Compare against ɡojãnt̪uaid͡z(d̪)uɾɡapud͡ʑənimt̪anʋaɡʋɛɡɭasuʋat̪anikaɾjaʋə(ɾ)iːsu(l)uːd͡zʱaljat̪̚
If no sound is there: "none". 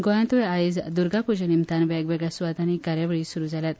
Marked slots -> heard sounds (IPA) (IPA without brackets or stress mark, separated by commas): d̪, ɭ, ɾ